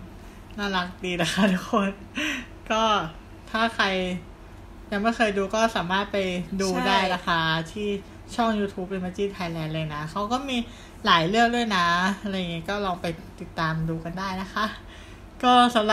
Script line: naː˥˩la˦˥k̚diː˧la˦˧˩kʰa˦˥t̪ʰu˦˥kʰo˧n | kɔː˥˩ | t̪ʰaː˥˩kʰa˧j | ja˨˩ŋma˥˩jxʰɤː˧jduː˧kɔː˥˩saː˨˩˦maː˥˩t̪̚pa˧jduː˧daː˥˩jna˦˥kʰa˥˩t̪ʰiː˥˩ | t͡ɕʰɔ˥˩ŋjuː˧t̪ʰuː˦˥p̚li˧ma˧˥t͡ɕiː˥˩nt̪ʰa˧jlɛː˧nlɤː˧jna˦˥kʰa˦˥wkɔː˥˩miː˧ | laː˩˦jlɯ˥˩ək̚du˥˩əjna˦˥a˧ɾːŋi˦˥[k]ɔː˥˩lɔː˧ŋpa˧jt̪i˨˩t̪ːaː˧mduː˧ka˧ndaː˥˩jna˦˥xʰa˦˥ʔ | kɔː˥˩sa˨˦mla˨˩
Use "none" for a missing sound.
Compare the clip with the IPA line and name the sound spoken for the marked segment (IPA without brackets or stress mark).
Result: k